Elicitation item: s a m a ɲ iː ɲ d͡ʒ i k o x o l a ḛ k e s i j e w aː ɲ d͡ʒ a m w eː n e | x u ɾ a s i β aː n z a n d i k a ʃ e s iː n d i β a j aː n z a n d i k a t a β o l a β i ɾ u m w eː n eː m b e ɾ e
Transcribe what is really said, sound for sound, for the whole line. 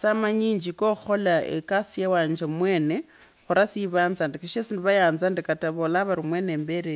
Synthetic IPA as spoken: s a m a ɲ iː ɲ d͡ʒ i k o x o l a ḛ k a s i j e w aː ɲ d͡ʒ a m w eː n e | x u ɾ a s i β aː n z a n d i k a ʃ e s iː n d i β a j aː n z a n d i k a t a β o l a β a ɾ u m w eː n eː m b e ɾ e

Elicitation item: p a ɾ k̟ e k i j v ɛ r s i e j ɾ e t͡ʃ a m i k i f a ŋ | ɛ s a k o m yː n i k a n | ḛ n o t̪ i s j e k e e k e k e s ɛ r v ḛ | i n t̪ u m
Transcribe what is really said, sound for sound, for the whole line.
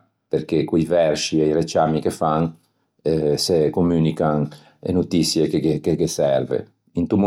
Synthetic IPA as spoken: p e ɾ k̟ e k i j v ɛ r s i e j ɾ e t͡ʃ a m i k e f a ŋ | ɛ s e k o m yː n i k a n | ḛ n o t̪ i s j e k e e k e k e s ɛ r v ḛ | i n t̪ u m

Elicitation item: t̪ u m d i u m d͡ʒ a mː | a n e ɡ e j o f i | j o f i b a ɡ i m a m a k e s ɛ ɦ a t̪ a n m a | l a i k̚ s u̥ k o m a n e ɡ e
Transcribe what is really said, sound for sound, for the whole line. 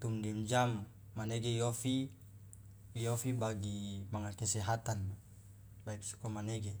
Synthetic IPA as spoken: t̪ u m d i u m d͡ʒ a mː | a n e ɡ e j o f i | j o f i b a ɡ i m a ŋ a k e s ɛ ɦ a t̪ a n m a | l a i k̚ s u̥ k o m a n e ɡ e

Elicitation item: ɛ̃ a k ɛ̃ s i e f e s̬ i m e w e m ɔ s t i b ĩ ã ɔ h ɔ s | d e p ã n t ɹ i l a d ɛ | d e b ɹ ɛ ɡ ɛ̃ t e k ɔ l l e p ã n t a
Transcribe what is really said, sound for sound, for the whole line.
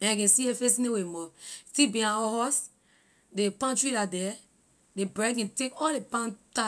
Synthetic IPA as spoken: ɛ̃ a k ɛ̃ s i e f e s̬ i n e w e m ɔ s t i b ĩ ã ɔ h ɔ s | d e p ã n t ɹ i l a d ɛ | d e b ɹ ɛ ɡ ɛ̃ t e k ɔ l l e p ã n t a

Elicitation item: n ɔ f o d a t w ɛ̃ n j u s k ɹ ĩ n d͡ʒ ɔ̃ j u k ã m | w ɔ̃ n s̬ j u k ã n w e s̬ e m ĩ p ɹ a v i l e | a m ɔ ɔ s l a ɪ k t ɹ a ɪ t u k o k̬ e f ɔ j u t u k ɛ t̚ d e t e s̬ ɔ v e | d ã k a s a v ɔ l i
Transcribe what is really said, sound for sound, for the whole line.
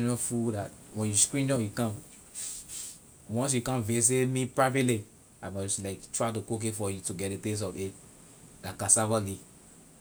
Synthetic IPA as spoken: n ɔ f u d a t w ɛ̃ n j u s k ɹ ĩ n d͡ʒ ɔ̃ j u k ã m | w ɔ̃ n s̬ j u k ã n v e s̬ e m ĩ p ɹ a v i l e | a m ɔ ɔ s l a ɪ k t ɹ a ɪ t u k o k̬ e f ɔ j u t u ɡ ɛ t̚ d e t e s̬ ɔ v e | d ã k a s a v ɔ l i

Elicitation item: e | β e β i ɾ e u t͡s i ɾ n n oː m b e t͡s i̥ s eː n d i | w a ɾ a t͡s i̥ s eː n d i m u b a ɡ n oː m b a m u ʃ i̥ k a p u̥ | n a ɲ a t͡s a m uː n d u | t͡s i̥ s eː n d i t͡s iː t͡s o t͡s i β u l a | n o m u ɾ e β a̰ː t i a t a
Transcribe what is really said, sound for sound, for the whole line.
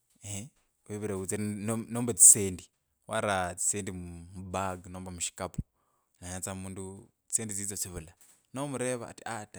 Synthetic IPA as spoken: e | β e β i ɾ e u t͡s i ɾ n n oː m b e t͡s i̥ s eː n d i | w a ɾ a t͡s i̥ s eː n d i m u b a ɡ n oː m b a m u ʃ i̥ k a p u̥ | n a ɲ a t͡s a m uː n d u | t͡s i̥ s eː n d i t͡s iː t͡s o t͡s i β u l a | n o m u ɾ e β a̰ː t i a t a

